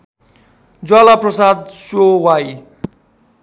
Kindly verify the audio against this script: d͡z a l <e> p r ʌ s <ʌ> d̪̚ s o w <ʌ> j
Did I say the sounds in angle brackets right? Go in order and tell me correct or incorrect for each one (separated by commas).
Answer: incorrect, incorrect, incorrect